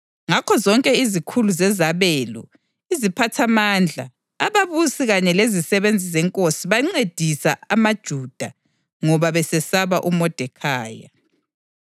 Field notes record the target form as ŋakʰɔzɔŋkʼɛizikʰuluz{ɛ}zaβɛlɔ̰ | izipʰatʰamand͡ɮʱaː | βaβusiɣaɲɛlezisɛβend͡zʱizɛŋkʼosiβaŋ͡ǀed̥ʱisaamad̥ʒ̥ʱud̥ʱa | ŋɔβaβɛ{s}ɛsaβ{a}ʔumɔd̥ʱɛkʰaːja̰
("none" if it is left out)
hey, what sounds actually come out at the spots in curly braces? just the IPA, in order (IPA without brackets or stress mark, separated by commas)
ɛ, s, a